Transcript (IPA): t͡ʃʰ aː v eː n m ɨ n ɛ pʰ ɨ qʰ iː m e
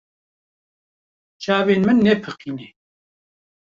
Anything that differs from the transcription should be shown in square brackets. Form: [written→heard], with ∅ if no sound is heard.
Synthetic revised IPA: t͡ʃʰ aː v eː n m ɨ [n→nː] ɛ pʰ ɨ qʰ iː [m→n] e